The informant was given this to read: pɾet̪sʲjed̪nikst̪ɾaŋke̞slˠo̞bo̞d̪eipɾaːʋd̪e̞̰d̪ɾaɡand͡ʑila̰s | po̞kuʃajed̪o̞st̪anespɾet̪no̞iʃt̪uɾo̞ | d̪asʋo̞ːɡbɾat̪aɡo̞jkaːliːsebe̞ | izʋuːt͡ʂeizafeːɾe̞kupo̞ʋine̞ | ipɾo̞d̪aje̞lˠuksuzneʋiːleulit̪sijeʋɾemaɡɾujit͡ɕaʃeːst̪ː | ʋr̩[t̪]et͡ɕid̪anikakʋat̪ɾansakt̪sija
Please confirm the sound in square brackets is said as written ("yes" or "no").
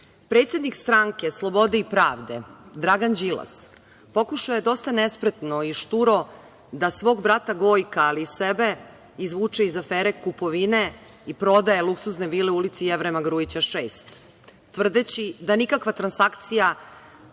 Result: no